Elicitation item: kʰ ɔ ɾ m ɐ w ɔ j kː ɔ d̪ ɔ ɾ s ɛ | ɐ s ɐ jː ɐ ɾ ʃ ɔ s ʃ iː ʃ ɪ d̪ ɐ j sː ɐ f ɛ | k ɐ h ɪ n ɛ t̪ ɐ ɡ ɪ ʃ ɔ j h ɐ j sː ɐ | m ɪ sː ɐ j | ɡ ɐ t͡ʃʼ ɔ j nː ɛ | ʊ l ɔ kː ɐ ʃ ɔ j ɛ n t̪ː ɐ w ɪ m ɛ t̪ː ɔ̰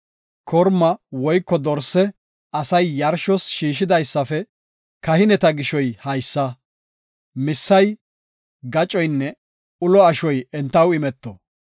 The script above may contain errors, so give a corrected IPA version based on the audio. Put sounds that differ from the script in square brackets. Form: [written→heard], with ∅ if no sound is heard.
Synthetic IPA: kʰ ɔ ɾ m ɐ w ɔ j kː ɔ d̪ ɔ ɾ s ɛ | ɐ s ɐ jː ɐ ɾ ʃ ɔ s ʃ iː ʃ ɪ d̪ ɐ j sː ɐ f ɛ | k ɐ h ɪ n ɛ t̪ ɐ ɡ ɪ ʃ ɔ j h ɐ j sː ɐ | m ɪ sː ɐ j | ɡ ɐ t͡ʃʼ ɔ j nː ɛ | ʊ l ɔ [kː→∅] ɐ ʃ ɔ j ɛ n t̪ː ɐ w ɪ m ɛ t̪ː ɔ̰